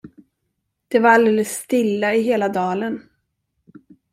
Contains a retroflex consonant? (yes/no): no